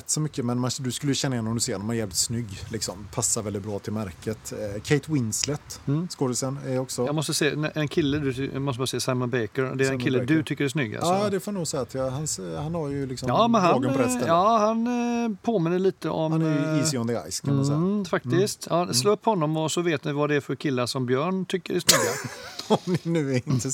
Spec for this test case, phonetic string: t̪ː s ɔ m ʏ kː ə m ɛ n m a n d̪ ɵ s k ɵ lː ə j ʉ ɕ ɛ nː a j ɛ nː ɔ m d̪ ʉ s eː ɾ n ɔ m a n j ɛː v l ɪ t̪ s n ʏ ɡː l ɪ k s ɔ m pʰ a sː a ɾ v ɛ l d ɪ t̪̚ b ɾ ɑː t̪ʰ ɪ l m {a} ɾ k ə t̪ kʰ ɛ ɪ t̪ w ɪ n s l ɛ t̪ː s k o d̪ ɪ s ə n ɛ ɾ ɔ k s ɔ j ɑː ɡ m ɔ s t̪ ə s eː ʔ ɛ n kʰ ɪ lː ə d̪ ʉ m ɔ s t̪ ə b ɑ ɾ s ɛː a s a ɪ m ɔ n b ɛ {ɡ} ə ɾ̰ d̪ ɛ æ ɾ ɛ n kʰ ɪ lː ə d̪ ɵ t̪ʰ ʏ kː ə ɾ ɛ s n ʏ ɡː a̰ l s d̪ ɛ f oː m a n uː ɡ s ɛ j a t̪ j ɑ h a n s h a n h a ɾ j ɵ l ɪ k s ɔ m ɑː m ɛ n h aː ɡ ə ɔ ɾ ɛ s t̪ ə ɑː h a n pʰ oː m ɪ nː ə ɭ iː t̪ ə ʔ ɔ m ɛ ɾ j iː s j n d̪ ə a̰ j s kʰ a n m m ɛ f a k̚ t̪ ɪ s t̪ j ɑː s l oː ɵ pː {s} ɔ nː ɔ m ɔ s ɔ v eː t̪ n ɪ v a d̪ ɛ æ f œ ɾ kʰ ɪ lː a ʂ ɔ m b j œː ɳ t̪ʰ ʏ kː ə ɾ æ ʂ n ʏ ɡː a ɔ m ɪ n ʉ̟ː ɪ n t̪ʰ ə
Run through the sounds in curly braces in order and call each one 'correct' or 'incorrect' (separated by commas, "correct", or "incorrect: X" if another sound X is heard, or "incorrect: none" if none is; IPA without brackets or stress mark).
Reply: incorrect: æ, incorrect: k, incorrect: h